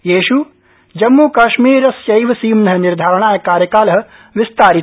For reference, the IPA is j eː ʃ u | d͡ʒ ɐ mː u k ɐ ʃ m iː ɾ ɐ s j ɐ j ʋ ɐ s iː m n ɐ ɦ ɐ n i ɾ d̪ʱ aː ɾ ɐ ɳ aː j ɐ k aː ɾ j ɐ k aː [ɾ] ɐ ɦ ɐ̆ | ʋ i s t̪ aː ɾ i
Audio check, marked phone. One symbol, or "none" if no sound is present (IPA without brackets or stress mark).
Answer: l